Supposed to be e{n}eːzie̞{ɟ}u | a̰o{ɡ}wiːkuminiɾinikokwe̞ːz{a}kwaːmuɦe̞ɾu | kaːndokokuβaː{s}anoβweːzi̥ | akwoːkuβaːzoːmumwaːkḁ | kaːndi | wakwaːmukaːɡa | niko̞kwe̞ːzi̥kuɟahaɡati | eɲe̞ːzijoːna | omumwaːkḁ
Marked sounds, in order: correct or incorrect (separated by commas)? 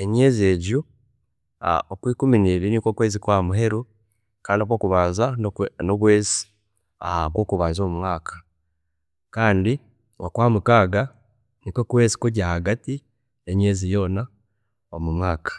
incorrect, correct, incorrect, incorrect, incorrect